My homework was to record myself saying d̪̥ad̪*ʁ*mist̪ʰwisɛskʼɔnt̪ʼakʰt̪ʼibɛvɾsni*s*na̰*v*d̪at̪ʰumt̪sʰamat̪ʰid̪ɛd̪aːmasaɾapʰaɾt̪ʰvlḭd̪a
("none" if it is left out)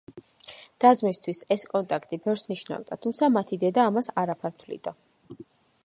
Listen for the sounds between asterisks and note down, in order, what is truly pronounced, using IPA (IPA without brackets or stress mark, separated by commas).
z, ʃ, v